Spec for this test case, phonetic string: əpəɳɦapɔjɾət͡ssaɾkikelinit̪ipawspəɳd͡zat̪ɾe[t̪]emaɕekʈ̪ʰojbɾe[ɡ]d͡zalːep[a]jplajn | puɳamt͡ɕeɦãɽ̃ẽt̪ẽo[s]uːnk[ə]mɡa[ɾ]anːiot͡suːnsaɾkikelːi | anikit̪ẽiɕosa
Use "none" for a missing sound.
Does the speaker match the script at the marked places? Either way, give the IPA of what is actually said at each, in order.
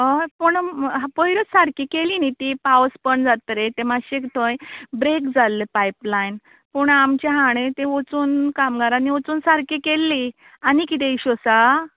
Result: t̪, k, a, t͡s, a, ɾ

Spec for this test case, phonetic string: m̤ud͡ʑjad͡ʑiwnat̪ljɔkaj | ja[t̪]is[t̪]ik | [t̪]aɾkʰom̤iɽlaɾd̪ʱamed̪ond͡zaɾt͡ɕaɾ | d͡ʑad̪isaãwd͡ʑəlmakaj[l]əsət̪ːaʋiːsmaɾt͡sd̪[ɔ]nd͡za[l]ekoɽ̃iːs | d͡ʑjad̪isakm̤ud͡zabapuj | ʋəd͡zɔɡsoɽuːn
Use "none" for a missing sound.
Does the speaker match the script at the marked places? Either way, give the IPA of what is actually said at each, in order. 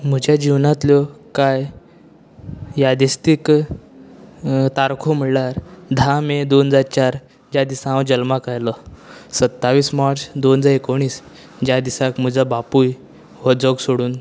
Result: d̪, t̪, t̪, l, o, ɾ

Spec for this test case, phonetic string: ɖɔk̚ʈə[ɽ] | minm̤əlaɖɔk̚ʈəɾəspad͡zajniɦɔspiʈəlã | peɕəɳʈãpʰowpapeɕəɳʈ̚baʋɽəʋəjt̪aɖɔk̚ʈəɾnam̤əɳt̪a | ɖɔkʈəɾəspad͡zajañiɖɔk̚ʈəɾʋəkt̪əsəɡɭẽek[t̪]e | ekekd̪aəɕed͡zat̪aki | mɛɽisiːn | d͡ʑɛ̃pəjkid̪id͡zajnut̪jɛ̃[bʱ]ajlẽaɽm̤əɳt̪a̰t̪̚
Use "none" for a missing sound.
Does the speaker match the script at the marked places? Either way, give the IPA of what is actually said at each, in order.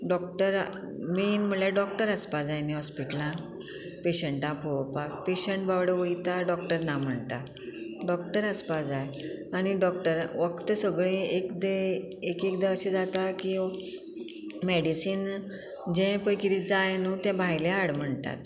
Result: ɾ, d̪, bʱ

